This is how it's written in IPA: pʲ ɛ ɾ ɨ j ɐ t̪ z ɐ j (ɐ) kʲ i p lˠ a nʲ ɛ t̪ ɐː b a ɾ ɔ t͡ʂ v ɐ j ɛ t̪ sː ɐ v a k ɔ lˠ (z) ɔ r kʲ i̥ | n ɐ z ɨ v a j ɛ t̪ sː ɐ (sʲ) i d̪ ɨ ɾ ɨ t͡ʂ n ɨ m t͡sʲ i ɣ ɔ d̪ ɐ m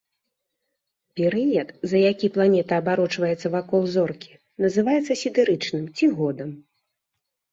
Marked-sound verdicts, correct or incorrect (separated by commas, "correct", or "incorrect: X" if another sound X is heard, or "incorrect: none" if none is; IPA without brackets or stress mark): incorrect: a, correct, correct